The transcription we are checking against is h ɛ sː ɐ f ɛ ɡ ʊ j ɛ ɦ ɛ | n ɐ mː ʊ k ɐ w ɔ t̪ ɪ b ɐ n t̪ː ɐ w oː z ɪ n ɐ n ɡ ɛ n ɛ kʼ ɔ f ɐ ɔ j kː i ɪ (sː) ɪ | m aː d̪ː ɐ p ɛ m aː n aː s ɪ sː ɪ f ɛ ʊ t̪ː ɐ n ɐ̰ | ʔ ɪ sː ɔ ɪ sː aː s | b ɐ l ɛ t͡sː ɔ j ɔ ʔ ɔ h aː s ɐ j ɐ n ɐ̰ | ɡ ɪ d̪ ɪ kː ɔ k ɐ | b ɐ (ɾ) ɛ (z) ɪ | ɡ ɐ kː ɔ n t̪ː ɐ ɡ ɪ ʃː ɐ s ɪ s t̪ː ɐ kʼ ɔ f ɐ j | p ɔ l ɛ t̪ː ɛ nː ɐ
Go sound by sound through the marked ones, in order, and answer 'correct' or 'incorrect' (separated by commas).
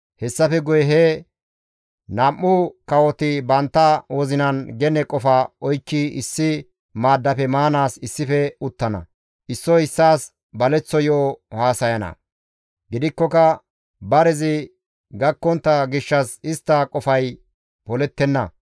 correct, correct, correct